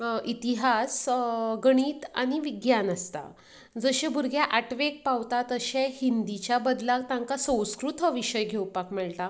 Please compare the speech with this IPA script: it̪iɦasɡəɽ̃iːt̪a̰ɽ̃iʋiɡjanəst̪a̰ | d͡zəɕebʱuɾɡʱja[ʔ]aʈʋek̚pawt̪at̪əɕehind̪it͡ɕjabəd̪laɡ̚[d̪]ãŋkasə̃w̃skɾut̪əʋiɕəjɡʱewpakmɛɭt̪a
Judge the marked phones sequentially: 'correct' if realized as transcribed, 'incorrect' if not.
correct, incorrect

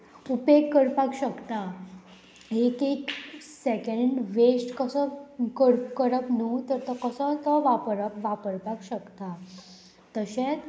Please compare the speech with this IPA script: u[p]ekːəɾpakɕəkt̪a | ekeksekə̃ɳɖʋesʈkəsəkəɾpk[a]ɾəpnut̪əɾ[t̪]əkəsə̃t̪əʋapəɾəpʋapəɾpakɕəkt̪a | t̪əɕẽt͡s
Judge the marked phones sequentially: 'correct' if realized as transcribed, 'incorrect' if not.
correct, incorrect, correct

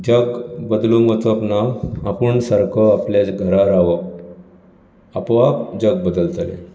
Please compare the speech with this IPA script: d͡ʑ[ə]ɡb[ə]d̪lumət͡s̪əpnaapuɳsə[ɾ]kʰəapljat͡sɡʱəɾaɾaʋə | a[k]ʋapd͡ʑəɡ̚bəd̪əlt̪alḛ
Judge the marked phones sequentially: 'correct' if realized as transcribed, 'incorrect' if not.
correct, correct, correct, incorrect

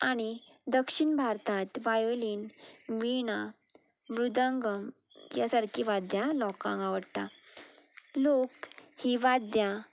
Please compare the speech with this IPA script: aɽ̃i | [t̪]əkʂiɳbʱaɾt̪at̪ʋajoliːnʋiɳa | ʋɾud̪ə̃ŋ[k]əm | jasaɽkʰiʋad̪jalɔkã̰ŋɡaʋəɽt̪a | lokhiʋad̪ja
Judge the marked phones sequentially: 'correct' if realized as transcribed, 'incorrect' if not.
incorrect, incorrect

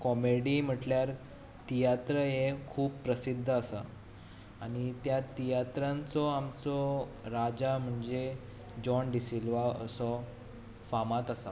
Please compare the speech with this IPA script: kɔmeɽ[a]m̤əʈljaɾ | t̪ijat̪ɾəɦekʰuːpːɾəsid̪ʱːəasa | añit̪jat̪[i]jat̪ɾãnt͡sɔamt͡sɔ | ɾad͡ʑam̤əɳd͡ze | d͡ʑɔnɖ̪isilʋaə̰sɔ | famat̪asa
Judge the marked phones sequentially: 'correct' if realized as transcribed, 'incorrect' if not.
incorrect, correct

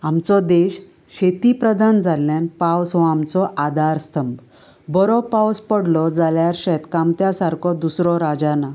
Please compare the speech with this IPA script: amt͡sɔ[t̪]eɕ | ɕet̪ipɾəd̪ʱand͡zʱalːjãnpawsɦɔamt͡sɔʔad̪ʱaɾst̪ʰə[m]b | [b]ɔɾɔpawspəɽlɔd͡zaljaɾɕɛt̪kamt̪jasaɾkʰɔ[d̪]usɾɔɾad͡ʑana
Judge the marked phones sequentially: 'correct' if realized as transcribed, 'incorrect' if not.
incorrect, correct, correct, correct

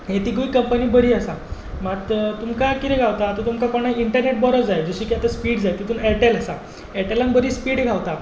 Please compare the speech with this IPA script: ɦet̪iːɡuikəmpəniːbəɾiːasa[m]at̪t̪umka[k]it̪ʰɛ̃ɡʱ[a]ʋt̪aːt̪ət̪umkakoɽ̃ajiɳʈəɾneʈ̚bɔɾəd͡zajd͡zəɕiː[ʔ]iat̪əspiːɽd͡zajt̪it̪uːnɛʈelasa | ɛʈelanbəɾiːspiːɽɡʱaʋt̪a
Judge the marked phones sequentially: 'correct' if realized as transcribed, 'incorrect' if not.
correct, correct, correct, incorrect

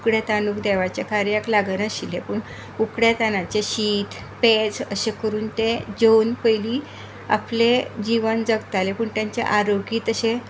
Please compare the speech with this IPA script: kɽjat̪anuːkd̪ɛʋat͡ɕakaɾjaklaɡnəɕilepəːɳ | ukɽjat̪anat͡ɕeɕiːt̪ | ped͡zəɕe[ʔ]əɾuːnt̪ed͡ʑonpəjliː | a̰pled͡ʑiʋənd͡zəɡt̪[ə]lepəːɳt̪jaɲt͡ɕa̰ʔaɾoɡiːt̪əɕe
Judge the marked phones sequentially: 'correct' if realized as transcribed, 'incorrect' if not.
incorrect, incorrect

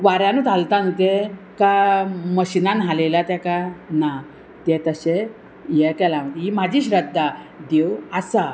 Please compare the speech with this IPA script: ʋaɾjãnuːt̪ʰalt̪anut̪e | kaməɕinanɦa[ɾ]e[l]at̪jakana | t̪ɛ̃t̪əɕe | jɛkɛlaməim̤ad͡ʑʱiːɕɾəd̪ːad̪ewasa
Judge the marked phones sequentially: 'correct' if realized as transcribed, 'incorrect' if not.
incorrect, correct

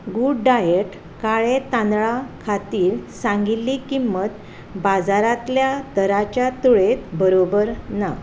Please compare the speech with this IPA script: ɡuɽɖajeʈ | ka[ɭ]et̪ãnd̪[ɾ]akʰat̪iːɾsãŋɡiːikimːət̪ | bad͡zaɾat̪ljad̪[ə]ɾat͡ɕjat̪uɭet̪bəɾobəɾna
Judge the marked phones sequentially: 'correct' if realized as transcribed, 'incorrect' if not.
correct, incorrect, correct

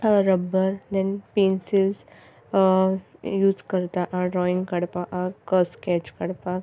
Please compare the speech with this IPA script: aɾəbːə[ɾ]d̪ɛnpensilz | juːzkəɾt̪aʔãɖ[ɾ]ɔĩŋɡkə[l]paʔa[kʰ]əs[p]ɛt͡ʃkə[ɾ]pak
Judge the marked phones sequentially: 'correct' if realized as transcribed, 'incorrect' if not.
correct, correct, incorrect, incorrect, incorrect, incorrect

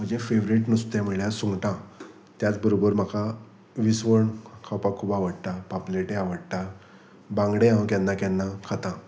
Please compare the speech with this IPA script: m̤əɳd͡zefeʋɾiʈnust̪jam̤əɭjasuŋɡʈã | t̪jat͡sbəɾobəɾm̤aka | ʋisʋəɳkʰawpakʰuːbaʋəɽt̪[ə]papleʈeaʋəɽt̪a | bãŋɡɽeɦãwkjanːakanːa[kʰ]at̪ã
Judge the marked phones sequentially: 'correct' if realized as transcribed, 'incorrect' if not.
incorrect, correct

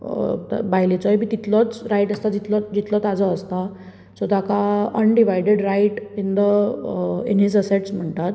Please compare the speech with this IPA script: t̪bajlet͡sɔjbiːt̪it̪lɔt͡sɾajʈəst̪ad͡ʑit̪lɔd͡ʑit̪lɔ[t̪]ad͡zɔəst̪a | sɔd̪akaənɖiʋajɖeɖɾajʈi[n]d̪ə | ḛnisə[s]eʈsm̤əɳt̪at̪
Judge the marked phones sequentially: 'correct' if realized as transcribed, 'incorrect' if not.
correct, correct, correct

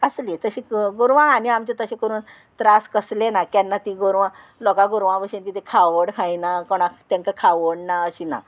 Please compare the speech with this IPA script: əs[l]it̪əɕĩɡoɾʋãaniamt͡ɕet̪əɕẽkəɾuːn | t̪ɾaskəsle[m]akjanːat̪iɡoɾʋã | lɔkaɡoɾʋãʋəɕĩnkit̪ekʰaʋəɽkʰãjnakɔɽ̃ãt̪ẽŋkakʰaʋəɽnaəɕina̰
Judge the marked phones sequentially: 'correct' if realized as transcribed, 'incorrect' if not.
correct, incorrect

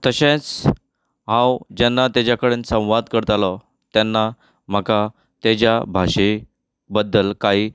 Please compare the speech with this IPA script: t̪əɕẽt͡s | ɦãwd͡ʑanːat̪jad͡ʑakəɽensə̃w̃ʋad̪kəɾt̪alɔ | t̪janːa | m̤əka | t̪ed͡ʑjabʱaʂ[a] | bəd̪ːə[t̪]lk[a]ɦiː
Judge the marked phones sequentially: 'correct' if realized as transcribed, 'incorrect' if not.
incorrect, incorrect, correct

